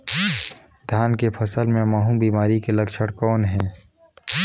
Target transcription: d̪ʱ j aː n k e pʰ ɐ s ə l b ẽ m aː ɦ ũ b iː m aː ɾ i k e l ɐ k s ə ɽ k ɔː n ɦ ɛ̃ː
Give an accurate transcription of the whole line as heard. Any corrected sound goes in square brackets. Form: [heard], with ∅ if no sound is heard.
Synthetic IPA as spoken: d̪ʱ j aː n k e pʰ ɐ s ə l [m] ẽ m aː ɦ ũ b iː m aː ɾ i k e l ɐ k [ʃ] ə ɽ k ɔː n ɦ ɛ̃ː